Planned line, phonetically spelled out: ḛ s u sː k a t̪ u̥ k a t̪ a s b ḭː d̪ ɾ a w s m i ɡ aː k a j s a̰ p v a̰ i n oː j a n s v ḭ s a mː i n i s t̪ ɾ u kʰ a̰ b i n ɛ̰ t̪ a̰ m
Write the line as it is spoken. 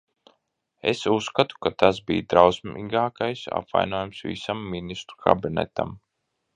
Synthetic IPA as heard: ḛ s u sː k a t̪ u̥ k a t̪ a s b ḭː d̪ ɾ a w s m i ɡ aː k a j s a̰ p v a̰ j n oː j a m s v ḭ s a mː i n i s t̪ ɾ u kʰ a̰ b i n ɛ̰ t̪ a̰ m